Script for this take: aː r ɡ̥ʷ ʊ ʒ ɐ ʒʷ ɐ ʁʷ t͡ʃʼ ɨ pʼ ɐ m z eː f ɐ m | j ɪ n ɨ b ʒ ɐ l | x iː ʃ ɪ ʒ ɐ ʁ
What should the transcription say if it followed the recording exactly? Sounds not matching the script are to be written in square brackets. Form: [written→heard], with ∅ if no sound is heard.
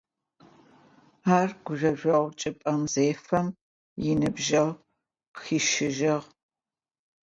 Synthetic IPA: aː r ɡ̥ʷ ʊ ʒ ɐ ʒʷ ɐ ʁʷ t͡ʃʼ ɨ pʼ ɐ m z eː f ɐ m | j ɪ n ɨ b ʒ ɐ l | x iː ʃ ɪ ʒ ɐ ʁ